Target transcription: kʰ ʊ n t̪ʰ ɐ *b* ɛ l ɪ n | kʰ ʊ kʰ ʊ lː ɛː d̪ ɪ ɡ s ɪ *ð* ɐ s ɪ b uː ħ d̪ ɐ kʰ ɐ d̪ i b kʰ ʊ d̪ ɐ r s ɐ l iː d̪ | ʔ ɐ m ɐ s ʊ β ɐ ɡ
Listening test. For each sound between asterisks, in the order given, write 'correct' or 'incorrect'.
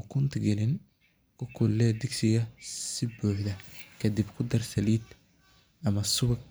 incorrect: ɡ, incorrect: ɣ

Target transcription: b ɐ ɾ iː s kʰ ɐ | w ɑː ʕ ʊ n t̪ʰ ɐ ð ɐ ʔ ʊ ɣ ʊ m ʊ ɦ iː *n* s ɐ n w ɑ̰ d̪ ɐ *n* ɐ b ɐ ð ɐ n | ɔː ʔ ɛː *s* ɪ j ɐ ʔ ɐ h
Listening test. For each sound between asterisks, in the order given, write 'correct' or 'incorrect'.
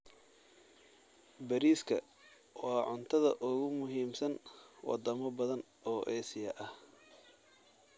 incorrect: m, incorrect: m, correct

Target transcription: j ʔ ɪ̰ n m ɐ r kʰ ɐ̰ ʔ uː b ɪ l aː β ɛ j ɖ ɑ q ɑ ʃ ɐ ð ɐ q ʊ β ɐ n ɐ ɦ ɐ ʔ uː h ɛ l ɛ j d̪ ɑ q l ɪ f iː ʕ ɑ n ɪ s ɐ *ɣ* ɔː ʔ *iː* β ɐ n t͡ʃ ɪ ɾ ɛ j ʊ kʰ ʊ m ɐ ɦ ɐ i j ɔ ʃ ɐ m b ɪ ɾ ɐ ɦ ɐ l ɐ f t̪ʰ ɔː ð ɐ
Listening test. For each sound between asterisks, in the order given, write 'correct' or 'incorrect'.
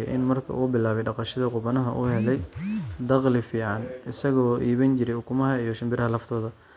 correct, correct

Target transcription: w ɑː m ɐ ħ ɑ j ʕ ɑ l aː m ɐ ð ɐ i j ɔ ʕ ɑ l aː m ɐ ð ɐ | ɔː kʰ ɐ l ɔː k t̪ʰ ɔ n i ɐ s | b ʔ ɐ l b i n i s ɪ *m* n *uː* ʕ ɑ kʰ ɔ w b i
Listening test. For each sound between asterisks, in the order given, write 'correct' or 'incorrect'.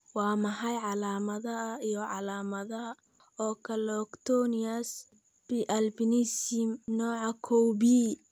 correct, incorrect: ɔː

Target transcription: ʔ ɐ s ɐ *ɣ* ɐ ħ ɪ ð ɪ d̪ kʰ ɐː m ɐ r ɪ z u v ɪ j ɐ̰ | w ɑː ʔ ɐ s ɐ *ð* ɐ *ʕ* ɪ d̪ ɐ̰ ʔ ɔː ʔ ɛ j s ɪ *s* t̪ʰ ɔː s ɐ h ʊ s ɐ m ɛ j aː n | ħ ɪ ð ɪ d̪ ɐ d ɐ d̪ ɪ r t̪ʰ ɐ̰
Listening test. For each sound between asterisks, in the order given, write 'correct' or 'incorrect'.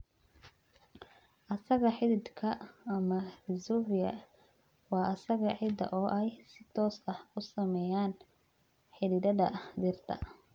correct, incorrect: ɣ, correct, incorrect: none

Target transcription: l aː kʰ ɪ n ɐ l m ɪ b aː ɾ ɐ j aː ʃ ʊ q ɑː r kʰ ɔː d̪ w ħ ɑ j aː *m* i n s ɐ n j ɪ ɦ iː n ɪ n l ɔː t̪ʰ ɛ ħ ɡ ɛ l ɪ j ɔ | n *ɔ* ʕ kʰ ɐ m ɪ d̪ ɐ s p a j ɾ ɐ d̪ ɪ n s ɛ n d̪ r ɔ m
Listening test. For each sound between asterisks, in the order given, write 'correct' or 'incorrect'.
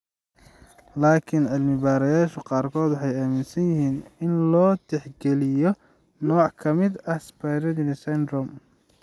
correct, incorrect: ɔː

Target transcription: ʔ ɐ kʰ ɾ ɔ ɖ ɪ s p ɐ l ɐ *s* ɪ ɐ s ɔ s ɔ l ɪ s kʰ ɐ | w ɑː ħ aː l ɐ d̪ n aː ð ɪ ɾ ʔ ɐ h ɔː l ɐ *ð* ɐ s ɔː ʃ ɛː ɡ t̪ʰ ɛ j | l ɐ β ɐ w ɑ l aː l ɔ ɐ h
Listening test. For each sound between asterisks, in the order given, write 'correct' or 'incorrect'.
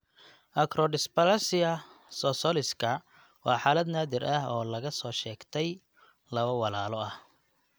correct, incorrect: ɣ

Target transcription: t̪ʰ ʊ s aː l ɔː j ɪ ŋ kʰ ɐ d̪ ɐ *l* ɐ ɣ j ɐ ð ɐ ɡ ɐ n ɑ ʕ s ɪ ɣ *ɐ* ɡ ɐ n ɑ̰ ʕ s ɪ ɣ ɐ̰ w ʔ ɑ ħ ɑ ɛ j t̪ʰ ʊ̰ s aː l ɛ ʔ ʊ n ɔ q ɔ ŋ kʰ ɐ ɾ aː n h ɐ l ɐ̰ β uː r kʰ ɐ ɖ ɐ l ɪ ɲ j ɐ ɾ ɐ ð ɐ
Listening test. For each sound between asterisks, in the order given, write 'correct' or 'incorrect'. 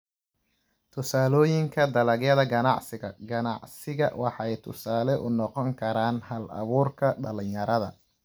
correct, correct

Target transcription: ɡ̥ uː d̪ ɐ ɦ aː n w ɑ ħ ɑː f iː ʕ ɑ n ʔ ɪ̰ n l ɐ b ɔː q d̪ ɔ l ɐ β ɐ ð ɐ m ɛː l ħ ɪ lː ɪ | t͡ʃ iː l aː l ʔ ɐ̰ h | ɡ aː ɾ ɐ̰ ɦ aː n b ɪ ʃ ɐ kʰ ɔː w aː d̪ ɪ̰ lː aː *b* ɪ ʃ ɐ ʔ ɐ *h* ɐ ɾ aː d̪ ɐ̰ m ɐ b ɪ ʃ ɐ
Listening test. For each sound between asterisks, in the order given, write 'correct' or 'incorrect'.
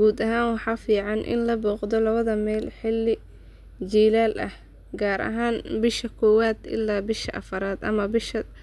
correct, incorrect: f

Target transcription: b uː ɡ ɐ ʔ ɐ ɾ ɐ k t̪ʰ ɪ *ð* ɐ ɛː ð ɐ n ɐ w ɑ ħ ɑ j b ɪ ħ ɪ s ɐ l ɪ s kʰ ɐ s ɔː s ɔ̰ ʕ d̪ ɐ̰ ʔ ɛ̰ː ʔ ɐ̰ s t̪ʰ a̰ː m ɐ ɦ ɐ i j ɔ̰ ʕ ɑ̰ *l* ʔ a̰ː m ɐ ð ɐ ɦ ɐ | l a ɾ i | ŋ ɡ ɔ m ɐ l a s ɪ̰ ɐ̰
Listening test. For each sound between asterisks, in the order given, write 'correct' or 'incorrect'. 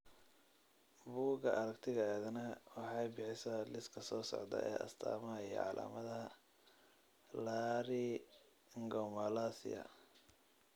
incorrect: ɣ, correct

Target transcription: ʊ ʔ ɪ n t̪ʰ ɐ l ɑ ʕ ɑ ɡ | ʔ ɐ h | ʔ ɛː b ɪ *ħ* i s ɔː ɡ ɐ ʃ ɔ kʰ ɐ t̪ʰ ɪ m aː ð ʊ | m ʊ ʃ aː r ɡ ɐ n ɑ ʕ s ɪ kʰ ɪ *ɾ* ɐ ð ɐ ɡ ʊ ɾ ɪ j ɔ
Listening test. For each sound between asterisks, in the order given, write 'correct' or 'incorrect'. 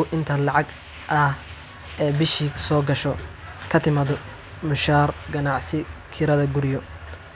incorrect: ʃ, correct

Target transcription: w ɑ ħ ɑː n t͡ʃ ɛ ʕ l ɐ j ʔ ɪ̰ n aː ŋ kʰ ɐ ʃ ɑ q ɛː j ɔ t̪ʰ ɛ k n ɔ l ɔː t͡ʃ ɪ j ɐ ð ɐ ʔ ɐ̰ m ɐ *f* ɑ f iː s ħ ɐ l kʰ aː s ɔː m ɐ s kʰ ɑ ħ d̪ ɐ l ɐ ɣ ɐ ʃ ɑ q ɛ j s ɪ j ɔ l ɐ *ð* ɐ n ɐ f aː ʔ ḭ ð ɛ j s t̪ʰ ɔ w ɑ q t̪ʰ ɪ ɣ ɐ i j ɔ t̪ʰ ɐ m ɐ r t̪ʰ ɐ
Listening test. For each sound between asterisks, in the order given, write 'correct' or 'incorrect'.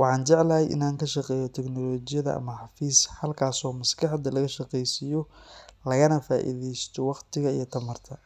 incorrect: ħ, incorrect: ɣ

